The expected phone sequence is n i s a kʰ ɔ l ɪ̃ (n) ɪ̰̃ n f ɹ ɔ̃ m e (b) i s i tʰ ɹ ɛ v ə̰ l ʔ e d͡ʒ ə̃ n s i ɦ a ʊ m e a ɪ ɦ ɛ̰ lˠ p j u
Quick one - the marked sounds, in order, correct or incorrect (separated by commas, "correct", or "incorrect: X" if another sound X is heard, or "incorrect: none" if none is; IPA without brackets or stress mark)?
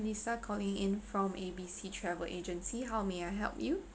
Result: incorrect: ŋ, correct